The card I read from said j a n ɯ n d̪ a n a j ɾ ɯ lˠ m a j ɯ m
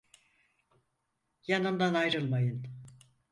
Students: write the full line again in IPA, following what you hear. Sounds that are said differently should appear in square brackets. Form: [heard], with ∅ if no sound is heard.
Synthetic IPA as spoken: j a n ɯ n d̪ a n a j ɾ ɯ lˠ m a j ɯ [n]